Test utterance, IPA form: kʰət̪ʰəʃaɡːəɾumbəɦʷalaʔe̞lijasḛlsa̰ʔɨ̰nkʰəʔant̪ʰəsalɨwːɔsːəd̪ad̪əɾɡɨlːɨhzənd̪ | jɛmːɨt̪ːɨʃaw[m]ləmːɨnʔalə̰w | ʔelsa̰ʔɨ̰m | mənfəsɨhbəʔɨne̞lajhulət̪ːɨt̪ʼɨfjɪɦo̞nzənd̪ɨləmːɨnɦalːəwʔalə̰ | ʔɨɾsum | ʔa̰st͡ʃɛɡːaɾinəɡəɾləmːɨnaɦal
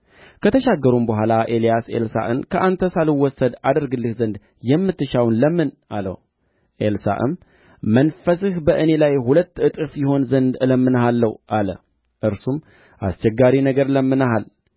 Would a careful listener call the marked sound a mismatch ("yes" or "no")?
yes